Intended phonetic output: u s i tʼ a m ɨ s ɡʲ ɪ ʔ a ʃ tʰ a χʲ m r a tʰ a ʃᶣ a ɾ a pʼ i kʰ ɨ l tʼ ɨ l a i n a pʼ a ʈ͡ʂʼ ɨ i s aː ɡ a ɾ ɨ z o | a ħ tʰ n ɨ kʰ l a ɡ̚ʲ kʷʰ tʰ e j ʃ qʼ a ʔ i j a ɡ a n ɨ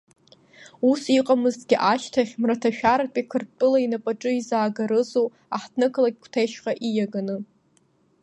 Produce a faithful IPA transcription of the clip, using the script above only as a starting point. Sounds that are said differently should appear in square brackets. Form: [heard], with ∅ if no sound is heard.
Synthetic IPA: u s i [qʼ] a m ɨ [z] ɡʲ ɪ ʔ a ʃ tʰ a χʲ m r a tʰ a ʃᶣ a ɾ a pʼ i kʰ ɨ [r] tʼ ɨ l a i n a pʼ a ʈ͡ʂʼ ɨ i [z] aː ɡ a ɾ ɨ z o | a ħ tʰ n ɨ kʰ l a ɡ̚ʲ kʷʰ tʰ e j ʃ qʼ a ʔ i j a ɡ a n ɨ